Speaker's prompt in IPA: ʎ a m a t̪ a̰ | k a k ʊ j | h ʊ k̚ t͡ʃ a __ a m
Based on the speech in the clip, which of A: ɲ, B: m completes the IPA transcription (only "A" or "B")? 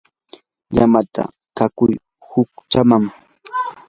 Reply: B